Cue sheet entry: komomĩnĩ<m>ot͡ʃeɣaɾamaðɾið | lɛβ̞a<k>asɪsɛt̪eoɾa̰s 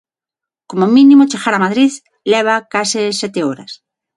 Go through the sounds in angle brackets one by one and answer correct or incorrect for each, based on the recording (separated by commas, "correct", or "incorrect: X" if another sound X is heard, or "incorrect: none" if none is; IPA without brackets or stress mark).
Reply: correct, correct